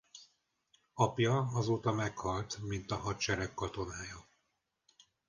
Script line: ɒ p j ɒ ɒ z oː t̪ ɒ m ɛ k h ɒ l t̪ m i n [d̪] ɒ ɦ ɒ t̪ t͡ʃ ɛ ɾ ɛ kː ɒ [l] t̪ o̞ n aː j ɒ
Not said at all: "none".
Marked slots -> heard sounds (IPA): t̪, none

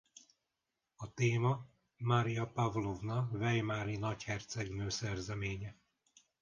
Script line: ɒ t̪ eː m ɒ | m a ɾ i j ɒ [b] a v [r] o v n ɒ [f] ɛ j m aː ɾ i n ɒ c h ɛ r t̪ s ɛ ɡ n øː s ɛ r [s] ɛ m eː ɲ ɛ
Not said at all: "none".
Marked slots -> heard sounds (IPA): p, l, v, z

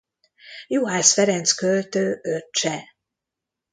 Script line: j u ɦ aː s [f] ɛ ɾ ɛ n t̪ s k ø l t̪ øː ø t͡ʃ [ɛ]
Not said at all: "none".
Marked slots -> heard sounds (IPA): f, ɛ

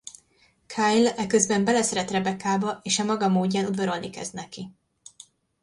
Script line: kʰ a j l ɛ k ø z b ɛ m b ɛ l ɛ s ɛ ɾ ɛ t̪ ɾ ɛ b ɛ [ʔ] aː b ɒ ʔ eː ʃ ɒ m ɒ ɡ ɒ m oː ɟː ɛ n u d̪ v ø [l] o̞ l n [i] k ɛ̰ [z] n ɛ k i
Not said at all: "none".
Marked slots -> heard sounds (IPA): k, ɾ, i, z

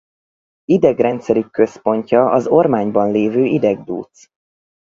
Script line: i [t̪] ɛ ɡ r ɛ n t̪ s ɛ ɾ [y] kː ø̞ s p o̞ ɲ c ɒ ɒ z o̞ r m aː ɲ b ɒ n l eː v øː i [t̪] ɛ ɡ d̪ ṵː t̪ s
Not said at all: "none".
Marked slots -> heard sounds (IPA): d̪, y, d̪

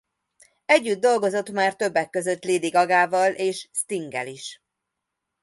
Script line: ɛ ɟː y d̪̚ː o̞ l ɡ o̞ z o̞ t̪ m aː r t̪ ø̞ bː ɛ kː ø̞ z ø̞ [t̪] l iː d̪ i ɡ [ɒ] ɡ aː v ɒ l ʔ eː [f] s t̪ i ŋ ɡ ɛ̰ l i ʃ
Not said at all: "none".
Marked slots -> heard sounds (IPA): t̪, ɒ, ʃ

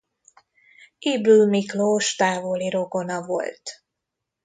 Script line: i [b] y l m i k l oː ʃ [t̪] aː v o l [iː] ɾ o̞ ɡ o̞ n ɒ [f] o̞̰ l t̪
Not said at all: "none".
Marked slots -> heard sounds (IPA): b, t̪, i, v

